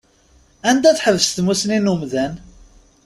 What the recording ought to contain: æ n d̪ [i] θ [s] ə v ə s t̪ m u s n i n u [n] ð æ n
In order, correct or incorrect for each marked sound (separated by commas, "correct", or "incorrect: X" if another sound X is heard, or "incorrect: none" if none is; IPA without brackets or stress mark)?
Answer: incorrect: æ, incorrect: ħ, incorrect: m